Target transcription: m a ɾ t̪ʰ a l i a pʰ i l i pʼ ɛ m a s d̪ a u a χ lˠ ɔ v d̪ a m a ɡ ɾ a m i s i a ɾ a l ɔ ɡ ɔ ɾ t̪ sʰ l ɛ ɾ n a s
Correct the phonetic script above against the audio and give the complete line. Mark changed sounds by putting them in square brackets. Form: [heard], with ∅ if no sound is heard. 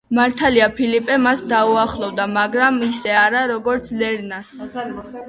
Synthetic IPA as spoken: m a ɾ t̪ʰ a l i a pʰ i l i pʼ ɛ m a s d̪ a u a χ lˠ ɔ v d̪ a m a ɡ ɾ a m i s [ɛ] a ɾ a [ɾ] ɔ ɡ ɔ ɾ t̪ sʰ l ɛ ɾ n a s